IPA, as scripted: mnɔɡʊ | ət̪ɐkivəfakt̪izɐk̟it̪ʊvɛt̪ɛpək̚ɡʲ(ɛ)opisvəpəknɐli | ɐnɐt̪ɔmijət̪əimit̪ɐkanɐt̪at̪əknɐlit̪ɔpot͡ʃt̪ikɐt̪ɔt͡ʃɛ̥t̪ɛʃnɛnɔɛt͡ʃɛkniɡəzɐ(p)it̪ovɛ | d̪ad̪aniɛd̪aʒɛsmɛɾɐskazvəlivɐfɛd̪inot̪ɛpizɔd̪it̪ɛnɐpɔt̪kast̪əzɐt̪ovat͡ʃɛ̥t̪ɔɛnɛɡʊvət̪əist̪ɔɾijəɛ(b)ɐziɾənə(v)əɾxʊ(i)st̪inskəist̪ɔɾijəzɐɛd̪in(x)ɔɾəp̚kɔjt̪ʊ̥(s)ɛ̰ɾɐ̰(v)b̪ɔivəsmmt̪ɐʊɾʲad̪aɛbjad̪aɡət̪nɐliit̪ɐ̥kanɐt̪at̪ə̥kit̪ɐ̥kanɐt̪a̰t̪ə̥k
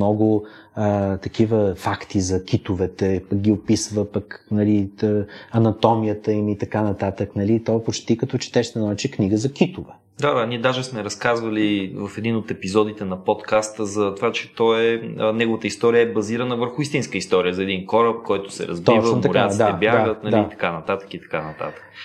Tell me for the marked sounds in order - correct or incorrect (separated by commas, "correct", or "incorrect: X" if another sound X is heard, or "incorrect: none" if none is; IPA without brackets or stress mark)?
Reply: incorrect: i, incorrect: k, correct, correct, correct, incorrect: k, correct, incorrect: z